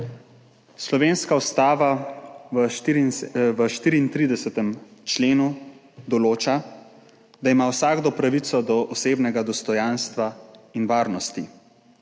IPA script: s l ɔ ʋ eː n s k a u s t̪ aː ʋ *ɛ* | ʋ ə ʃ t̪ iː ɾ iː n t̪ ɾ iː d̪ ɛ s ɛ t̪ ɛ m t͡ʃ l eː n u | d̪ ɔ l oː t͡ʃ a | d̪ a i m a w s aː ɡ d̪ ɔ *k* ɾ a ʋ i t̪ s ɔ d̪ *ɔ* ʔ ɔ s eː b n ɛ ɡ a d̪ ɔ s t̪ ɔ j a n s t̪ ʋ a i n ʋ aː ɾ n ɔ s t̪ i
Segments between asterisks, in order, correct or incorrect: incorrect, incorrect, correct

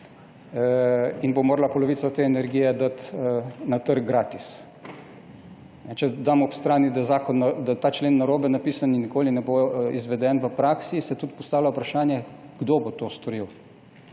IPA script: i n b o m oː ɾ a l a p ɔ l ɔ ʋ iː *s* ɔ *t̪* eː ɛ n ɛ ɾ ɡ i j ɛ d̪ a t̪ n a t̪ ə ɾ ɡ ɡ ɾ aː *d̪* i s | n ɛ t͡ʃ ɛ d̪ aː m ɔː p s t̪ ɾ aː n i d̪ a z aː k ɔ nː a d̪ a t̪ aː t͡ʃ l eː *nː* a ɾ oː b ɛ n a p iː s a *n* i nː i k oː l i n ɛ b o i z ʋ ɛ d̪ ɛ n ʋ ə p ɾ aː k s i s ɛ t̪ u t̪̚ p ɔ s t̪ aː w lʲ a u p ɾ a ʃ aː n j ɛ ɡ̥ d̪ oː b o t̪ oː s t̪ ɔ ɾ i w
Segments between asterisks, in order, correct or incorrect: correct, correct, incorrect, correct, correct

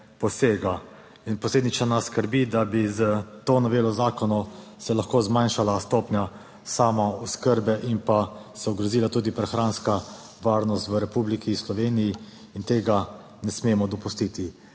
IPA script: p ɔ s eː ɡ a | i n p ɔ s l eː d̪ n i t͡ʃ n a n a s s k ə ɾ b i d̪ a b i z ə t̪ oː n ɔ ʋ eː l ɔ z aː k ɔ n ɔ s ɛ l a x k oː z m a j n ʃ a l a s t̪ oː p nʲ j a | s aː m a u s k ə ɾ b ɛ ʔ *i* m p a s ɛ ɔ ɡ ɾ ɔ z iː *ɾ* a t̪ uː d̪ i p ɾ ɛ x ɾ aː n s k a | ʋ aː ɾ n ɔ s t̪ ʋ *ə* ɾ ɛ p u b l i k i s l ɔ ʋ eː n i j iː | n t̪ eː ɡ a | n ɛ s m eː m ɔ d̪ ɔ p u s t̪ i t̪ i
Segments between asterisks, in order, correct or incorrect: correct, incorrect, correct

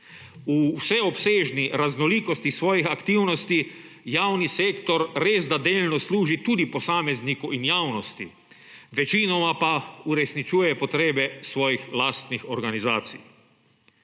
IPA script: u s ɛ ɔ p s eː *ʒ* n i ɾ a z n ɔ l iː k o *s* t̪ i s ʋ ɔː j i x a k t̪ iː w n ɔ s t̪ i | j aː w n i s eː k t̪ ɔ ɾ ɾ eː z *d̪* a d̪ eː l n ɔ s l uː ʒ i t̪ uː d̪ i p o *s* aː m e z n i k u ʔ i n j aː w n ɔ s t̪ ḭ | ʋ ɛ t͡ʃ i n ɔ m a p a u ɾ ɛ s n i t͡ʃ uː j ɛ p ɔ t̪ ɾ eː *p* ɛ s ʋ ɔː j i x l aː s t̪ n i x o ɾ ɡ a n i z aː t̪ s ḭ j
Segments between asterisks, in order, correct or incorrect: correct, correct, correct, correct, incorrect

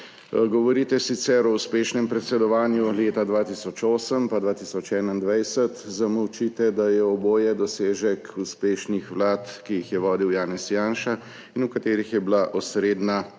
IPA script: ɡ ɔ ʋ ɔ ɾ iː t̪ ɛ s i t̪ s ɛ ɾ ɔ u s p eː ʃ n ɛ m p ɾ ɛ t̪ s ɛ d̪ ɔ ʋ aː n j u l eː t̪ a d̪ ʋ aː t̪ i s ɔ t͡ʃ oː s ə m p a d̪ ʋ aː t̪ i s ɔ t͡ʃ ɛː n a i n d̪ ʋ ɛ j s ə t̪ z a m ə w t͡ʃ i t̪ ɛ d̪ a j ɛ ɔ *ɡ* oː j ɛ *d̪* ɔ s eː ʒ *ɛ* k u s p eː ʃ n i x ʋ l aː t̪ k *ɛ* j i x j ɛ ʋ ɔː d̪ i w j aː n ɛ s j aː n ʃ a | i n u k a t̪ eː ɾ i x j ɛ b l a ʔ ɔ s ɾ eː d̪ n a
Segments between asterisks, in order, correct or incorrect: incorrect, correct, correct, incorrect

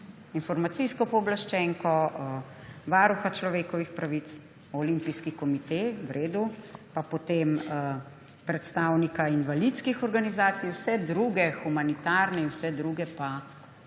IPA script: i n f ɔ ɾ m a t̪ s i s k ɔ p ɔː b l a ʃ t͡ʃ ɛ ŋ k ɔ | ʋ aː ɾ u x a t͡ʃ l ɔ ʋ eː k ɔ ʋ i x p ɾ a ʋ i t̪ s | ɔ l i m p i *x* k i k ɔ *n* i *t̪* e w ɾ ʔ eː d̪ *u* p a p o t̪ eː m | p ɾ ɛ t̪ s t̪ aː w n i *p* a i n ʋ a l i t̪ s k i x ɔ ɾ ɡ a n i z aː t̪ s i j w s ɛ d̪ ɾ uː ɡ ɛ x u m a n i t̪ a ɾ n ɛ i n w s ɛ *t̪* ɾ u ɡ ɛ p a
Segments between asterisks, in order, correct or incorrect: incorrect, incorrect, correct, correct, incorrect, incorrect

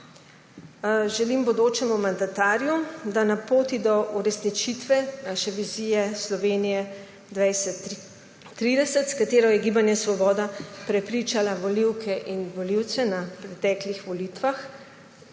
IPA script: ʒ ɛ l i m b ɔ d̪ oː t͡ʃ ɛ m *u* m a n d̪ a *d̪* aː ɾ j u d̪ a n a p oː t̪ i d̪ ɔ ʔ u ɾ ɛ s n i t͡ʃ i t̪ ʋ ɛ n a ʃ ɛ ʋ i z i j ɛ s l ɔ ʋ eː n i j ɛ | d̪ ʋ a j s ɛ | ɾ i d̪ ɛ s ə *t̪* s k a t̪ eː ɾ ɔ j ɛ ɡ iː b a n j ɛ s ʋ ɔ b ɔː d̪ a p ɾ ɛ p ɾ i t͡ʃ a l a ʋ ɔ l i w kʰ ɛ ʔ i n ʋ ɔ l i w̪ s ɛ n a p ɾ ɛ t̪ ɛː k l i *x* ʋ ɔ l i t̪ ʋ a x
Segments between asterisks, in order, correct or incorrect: correct, incorrect, correct, correct

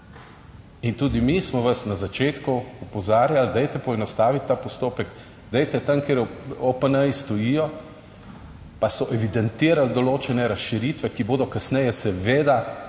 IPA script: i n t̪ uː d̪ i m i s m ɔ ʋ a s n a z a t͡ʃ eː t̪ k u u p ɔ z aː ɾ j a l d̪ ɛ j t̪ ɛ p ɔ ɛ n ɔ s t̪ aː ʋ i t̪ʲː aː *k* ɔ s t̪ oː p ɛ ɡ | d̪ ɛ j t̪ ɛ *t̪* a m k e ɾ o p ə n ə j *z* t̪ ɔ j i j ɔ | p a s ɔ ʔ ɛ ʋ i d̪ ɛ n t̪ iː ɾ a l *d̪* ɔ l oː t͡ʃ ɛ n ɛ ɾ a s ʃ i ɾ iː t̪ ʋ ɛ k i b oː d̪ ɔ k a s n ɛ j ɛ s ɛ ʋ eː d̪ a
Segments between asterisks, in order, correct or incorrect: incorrect, correct, incorrect, correct

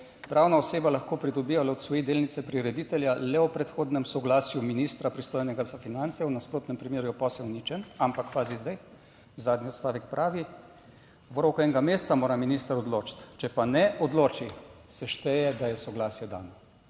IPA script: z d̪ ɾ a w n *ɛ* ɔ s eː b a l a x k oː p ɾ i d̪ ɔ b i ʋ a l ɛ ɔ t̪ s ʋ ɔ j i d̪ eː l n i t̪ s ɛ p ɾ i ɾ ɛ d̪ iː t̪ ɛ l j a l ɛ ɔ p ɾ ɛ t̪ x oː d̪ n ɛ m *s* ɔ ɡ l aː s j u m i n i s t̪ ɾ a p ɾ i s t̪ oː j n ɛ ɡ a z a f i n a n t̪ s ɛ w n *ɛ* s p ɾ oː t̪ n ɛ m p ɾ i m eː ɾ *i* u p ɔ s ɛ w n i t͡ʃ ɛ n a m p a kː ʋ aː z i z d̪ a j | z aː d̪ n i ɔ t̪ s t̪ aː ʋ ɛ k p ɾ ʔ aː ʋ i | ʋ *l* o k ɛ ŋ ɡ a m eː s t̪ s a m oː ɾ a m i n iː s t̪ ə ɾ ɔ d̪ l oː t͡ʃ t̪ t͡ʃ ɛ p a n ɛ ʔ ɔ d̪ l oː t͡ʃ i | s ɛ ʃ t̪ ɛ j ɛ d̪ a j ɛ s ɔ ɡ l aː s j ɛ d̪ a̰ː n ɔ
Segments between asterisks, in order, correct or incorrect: incorrect, correct, incorrect, incorrect, incorrect

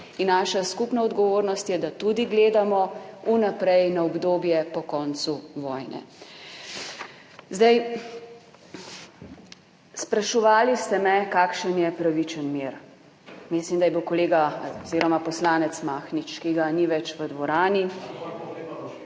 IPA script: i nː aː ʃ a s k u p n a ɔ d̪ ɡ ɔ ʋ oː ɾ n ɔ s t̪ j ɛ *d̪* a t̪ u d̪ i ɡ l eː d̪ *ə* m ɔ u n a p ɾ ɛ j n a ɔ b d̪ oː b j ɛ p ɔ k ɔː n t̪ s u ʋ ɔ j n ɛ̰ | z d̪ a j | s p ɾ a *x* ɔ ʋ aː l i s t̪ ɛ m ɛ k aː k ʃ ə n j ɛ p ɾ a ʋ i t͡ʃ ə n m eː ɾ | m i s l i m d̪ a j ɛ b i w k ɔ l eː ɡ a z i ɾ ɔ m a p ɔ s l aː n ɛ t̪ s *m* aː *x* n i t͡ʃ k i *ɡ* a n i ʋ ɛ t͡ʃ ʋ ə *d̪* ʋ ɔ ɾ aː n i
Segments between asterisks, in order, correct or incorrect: correct, incorrect, incorrect, correct, correct, correct, correct

